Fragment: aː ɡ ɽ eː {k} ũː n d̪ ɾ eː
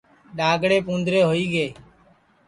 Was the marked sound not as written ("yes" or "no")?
yes